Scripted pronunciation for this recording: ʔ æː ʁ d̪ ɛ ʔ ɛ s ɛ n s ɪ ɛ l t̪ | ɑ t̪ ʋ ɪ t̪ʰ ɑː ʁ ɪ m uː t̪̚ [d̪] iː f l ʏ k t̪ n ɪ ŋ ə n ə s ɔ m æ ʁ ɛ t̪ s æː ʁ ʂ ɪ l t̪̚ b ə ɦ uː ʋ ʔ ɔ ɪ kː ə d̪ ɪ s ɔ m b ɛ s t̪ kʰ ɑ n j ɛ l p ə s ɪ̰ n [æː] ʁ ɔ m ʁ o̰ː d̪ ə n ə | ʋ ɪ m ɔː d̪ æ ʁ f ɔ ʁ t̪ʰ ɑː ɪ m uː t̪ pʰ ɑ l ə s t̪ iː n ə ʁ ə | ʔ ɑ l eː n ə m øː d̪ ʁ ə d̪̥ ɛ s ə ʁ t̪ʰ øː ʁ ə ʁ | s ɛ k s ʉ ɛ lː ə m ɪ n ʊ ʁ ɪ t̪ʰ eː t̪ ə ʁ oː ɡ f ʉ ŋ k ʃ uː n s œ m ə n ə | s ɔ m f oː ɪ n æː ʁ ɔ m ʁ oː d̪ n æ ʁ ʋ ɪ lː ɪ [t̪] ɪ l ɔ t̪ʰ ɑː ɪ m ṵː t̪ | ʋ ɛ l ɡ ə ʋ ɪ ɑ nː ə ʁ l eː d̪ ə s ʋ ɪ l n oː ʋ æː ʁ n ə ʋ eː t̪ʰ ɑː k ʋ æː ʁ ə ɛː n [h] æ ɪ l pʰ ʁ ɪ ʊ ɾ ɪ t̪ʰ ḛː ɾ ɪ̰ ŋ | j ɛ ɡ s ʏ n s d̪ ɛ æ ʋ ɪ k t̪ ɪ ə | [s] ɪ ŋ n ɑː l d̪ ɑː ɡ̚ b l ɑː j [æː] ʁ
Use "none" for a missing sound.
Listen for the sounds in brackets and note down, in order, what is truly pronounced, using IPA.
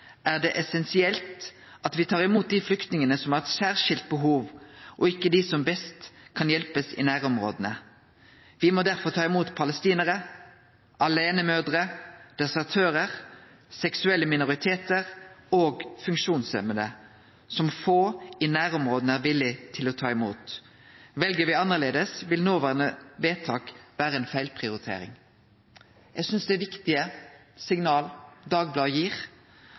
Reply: d̪, æː, t̪ʰ, f, s, iː

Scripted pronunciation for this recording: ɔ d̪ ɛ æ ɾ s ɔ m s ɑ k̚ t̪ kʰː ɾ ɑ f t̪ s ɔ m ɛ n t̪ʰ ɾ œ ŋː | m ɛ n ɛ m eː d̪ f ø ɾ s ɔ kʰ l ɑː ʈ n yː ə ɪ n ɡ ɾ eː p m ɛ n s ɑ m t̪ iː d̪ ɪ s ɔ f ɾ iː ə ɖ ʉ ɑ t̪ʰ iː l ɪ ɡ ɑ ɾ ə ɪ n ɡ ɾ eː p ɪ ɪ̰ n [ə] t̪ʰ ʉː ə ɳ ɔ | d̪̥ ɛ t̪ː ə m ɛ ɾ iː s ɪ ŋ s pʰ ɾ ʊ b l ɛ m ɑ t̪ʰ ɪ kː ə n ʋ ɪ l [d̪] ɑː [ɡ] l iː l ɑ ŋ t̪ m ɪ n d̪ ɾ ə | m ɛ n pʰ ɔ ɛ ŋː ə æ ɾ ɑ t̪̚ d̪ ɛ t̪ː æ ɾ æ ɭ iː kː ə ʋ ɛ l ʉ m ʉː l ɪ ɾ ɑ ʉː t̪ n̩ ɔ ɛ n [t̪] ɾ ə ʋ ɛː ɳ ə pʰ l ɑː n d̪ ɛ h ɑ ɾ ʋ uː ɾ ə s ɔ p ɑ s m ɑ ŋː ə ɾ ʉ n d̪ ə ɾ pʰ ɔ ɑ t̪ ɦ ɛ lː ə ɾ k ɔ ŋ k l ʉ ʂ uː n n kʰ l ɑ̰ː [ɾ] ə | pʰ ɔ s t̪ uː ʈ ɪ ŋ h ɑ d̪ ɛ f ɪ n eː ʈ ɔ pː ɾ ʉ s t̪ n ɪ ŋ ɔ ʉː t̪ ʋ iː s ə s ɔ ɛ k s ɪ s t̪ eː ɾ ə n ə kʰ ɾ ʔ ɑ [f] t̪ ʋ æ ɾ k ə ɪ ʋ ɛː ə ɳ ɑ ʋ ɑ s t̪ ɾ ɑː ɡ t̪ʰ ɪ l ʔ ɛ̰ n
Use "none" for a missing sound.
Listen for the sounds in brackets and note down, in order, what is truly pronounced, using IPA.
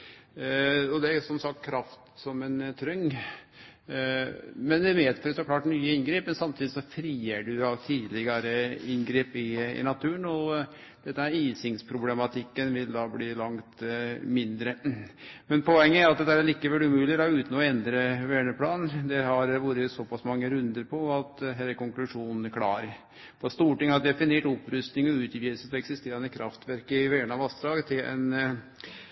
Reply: ɑ, d̪, b, d̪, ɾ, f

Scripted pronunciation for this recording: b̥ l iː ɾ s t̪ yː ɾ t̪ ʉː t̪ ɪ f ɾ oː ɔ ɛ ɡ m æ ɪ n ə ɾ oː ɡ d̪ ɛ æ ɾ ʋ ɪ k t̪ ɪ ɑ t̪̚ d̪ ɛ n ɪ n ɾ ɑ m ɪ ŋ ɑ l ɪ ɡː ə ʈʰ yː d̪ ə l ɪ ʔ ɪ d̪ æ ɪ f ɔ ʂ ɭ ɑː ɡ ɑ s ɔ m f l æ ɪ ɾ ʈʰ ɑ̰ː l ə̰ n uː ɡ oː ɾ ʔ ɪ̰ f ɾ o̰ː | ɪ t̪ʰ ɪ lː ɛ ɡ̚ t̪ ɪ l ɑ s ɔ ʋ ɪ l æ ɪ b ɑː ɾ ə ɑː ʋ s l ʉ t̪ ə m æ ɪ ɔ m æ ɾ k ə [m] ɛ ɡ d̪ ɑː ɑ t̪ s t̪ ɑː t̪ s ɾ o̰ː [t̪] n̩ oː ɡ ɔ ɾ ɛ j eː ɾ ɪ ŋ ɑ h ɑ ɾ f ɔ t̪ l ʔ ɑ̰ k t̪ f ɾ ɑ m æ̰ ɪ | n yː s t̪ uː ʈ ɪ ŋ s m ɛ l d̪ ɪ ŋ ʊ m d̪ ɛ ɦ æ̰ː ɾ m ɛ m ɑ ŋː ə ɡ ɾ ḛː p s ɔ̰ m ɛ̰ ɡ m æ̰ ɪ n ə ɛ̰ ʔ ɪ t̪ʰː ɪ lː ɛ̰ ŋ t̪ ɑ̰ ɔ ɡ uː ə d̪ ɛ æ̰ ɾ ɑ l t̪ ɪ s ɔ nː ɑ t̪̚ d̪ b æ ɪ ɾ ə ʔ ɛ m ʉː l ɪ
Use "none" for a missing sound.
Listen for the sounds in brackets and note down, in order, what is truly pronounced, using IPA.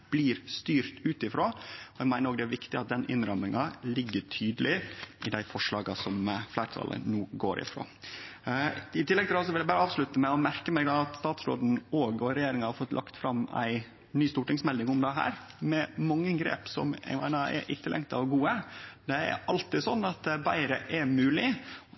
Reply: m, d̪

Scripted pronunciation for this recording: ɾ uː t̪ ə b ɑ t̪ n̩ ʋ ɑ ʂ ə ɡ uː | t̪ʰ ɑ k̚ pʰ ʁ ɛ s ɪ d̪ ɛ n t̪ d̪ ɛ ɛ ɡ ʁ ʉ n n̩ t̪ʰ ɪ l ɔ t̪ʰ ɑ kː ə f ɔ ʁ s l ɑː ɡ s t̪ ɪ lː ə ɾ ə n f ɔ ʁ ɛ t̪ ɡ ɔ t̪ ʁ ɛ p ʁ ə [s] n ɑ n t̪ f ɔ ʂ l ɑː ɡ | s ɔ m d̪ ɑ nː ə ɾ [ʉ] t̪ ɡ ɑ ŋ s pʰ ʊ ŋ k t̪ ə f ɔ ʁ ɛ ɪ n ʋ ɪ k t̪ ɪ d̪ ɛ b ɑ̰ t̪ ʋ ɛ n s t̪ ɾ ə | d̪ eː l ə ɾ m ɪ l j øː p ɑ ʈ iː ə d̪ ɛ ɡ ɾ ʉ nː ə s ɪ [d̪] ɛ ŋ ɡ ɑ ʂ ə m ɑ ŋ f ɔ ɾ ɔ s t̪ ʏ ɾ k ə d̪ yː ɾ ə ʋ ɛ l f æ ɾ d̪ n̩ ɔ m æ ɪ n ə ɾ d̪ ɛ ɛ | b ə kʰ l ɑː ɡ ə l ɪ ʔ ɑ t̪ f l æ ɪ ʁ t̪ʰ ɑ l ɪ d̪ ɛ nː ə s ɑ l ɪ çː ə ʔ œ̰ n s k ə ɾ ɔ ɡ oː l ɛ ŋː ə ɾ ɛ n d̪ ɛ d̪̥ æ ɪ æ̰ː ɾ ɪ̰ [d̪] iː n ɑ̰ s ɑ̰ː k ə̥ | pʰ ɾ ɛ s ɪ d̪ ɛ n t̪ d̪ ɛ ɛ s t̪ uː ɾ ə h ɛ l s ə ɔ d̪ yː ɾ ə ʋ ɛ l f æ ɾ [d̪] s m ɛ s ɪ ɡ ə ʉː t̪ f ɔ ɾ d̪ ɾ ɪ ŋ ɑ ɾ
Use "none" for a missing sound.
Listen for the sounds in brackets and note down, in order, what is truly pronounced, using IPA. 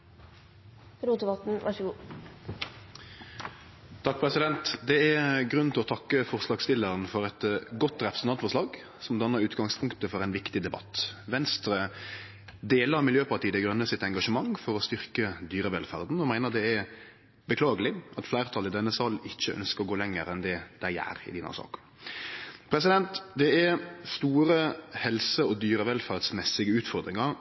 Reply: s, ʉː, t̪, d̪, d̪

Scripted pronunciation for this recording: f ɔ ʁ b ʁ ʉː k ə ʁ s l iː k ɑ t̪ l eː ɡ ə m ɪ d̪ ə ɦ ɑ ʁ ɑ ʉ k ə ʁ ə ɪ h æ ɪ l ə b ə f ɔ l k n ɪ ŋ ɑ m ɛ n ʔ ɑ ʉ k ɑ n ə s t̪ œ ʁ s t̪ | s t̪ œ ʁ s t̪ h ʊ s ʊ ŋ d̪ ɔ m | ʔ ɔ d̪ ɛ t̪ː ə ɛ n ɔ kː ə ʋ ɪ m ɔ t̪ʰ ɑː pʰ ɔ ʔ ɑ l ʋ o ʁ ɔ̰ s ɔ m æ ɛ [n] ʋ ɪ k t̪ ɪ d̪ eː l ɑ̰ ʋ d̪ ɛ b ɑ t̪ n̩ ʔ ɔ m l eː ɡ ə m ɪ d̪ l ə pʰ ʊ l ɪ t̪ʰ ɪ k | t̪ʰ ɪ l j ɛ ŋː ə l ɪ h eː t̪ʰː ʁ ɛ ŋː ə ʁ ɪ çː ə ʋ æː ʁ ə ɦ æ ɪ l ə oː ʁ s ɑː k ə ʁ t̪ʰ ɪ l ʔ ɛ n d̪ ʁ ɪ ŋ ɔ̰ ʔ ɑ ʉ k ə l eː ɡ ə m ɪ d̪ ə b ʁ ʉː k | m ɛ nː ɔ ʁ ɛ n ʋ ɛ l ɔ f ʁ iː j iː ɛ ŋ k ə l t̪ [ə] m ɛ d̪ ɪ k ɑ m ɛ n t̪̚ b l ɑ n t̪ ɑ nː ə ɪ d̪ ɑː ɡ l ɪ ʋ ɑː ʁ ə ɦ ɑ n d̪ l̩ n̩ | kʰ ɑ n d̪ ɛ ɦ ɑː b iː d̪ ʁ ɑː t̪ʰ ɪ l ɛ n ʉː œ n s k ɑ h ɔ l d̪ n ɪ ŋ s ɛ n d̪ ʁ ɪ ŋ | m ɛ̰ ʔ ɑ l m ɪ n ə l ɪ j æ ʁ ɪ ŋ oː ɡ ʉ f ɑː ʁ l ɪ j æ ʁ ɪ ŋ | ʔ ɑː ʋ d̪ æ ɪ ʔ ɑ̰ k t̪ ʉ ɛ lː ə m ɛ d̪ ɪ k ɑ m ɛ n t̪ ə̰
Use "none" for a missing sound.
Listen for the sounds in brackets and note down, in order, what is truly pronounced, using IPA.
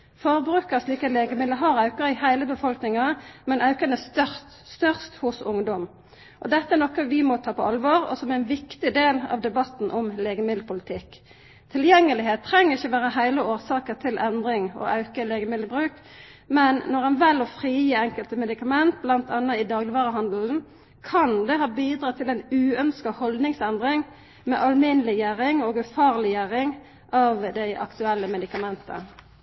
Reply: n, ə

